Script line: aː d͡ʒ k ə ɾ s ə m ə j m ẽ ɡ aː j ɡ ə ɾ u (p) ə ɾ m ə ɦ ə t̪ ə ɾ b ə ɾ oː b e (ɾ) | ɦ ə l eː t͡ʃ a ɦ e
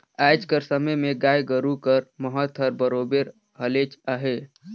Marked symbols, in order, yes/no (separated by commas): no, yes